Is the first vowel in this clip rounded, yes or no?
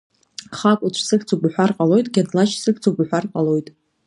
no